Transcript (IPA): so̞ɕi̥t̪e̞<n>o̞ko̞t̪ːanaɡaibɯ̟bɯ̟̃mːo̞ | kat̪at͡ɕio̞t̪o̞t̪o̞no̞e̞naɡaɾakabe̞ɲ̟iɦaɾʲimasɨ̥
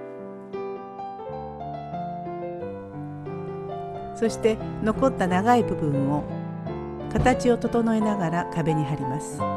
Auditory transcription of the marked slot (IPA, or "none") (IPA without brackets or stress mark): n